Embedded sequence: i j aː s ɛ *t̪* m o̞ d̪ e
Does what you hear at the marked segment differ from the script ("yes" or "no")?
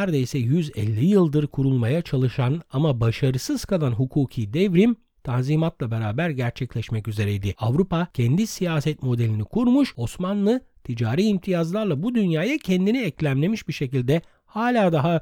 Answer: no